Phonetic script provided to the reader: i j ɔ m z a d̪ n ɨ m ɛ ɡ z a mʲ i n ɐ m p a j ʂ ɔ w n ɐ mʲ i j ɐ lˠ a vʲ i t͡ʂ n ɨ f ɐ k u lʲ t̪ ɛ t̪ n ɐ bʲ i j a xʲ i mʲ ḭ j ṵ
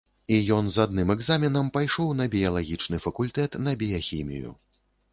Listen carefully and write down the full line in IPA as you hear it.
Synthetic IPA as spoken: i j ɔ n z a d̪ n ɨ m ɛ ɡ z a mʲ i n ɐ m p a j ʂ ɔ w n ɐ bʲ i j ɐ lˠ a ɣʲ i t͡ʂ n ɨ f ɐ k u lʲ t̪ ɛ t̪ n ɐ bʲ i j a xʲ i mʲ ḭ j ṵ